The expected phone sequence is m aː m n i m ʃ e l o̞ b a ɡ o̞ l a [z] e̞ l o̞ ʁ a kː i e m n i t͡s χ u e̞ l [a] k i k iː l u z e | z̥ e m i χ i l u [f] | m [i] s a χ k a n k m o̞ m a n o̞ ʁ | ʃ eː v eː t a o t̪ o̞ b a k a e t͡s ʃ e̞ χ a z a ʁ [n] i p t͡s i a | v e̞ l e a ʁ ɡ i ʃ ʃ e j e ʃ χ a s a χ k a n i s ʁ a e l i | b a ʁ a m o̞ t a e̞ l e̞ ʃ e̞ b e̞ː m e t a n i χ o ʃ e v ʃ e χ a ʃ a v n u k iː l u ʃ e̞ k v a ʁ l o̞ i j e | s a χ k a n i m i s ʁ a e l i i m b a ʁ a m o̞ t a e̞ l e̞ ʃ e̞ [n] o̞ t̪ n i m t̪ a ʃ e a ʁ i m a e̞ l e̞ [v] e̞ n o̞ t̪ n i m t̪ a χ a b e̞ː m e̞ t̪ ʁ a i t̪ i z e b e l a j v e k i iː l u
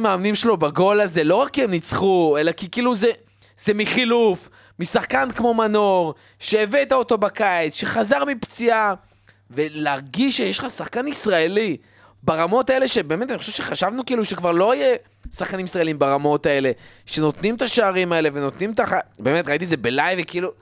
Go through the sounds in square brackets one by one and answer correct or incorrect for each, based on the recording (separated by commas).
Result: correct, correct, correct, correct, incorrect, correct, correct